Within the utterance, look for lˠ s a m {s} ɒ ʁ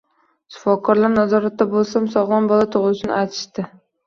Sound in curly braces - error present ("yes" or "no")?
no